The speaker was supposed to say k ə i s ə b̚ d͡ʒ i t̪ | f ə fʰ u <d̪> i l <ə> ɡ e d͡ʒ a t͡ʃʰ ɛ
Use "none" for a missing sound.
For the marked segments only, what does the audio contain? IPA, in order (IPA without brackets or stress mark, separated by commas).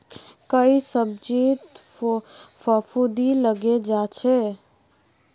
d̪, ə